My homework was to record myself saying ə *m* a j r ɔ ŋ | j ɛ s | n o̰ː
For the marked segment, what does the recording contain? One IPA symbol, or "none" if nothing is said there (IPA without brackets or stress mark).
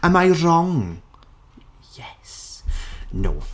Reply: m